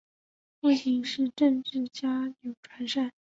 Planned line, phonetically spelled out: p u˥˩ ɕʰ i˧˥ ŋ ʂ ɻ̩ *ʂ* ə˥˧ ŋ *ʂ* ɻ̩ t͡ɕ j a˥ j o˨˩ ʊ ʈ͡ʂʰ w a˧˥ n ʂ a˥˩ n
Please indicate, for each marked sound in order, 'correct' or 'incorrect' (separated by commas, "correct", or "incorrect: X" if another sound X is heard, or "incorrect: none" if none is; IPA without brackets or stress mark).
incorrect: ʈ͡ʂ, incorrect: ʈ͡ʂ